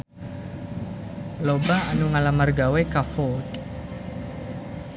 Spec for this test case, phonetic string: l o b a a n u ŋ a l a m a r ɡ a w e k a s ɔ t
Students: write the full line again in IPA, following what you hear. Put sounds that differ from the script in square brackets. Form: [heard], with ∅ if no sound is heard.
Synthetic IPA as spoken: l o b a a n u ŋ a l a m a r ɡ a w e k a [f] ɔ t

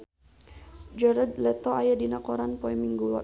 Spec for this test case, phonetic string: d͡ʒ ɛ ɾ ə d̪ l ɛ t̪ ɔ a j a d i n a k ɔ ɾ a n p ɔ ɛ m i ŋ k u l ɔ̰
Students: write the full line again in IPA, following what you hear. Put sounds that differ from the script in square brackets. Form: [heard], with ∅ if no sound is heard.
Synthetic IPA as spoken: d͡ʒ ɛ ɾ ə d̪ l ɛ t̪ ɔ a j a d i n a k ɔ ɾ a n p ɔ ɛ m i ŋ [ɡ] u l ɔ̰

